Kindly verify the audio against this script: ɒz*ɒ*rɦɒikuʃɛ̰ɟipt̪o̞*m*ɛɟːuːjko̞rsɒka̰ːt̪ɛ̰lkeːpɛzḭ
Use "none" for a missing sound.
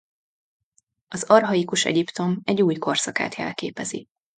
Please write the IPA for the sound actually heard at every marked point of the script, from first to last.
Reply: ɒ, m

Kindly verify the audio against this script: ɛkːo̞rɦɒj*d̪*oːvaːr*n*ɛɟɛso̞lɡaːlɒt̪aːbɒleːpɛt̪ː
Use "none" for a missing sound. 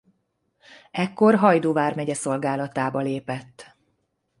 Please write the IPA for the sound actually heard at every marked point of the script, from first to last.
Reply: d̪, m

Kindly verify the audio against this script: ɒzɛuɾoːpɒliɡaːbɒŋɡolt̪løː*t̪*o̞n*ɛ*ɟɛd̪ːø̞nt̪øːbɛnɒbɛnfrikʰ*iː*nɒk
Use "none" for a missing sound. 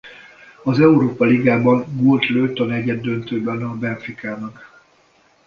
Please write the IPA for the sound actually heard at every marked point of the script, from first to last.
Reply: t̪, ɛ, aː

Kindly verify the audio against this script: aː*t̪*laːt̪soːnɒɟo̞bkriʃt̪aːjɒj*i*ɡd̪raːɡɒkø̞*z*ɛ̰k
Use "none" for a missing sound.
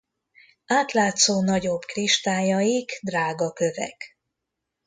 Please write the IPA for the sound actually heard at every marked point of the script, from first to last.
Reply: t̪, i, v

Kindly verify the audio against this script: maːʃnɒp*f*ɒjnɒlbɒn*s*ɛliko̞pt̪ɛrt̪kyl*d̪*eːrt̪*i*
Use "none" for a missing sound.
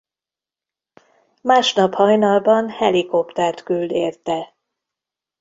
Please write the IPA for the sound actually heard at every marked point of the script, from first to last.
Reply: h, h, d̪, ɛ

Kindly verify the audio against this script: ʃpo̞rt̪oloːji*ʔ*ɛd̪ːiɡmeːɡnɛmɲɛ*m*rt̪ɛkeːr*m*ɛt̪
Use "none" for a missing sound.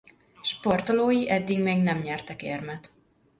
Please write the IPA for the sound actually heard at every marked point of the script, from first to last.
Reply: ʔ, none, m

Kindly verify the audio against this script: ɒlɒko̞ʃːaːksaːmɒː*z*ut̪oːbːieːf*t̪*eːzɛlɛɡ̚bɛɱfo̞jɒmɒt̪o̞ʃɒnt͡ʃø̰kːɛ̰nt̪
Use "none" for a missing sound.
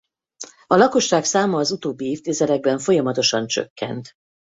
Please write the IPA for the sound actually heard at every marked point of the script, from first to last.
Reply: z, t̪

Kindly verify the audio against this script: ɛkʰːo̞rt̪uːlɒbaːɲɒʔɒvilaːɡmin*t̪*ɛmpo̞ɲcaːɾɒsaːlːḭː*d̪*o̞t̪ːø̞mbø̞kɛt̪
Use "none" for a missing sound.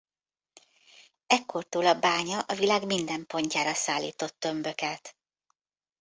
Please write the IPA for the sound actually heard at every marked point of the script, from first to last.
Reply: d̪, t̪

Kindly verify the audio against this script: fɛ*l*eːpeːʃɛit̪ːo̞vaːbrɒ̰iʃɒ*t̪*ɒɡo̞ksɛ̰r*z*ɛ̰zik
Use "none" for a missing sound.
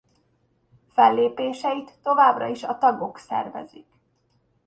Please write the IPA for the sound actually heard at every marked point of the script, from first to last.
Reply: lː, t̪, v

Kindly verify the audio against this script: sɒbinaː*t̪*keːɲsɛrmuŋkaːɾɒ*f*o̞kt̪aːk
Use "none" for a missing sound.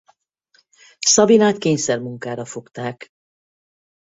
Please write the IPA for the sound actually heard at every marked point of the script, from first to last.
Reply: t̪, f

